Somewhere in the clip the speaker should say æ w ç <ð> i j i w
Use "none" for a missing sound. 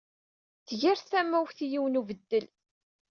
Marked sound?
θ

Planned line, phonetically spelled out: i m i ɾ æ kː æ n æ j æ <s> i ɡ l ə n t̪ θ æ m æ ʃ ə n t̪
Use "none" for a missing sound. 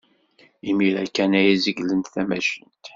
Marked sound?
z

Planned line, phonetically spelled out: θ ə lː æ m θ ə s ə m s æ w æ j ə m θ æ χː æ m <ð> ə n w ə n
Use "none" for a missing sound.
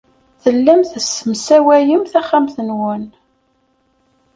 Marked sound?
θ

